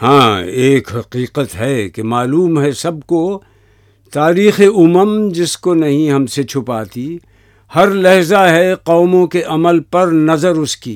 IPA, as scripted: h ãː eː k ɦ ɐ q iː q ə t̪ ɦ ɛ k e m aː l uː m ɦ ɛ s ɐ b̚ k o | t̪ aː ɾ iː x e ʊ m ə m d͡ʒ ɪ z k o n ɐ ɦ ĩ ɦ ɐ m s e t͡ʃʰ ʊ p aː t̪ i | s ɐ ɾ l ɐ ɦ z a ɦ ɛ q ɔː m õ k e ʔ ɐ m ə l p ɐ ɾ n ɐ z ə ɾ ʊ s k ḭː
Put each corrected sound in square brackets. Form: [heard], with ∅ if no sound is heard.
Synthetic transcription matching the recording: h ãː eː k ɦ ɐ q iː q ə t̪ ɦ ɛ k e m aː l uː m ɦ ɛ s ɐ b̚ k o | t̪ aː ɾ iː x e ʊ m ə m d͡ʒ ɪ [s] k o n ɐ ɦ ĩ ɦ ɐ m s e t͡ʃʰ ʊ p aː t̪ i | [h] ɐ ɾ l ɐ ɦ z a ɦ ɛ q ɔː m õ k e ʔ ɐ m ə l p ɐ ɾ n ɐ z ə ɾ ʊ s k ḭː